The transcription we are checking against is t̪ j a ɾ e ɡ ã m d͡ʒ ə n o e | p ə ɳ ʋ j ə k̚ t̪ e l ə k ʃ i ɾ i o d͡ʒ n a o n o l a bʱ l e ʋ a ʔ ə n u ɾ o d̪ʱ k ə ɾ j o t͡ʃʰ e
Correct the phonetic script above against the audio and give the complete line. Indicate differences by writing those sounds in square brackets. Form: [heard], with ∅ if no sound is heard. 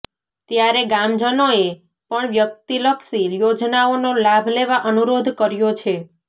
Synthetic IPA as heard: t̪ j a ɾ e ɡ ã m d͡ʒ ə n o e | p ə ɳ ʋ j ə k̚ t̪ [i] l ə k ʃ i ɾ [j] o d͡ʒ n a o n o l a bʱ l e ʋ a ʔ ə n u ɾ o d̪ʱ k ə ɾ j o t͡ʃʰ e